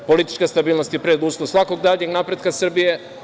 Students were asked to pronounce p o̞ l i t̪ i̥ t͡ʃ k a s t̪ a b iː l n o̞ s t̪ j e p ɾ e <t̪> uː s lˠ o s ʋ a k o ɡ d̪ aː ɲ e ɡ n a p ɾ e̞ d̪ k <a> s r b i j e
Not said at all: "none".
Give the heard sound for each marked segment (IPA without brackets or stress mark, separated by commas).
d̪, a